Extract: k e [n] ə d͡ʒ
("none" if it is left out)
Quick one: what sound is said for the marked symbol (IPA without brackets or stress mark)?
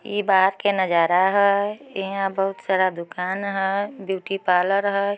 n